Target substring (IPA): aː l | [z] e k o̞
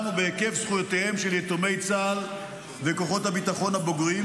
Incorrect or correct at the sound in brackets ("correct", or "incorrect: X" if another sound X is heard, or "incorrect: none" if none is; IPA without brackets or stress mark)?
incorrect: v